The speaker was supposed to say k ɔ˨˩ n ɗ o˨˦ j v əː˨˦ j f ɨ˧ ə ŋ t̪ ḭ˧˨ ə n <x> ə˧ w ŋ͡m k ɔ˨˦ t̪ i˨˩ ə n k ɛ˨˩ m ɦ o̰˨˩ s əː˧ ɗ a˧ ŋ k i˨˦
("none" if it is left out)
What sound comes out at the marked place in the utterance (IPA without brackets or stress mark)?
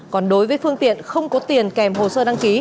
x